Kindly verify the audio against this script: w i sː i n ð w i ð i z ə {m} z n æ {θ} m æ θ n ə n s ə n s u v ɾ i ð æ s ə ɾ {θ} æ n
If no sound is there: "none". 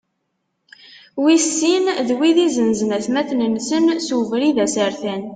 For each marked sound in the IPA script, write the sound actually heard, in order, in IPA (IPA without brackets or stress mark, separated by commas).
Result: n, θ, θ